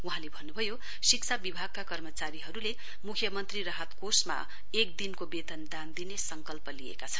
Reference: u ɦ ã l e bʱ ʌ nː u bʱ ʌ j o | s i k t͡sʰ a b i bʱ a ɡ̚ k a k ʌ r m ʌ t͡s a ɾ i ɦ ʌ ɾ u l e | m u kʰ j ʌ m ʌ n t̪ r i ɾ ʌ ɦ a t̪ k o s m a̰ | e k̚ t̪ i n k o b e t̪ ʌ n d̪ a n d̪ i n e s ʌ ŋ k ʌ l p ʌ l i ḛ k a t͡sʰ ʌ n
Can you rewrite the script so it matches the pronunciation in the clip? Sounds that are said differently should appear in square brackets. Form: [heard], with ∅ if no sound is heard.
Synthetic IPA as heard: u ɦ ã l e bʱ ʌ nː u bʱ ʌ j o | s i k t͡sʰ a b i bʱ a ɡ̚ k a k ʌ r m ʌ t͡s a ɾ i ɦ ʌ ɾ u l e | m u kʰ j ʌ m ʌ n t̪ r i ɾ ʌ ɦ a t̪ k o s m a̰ | e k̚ [d̪] i n k o b e t̪ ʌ n d̪ a n d̪ i n e s ʌ ŋ k ʌ l p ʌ l i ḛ k a t͡sʰ ʌ n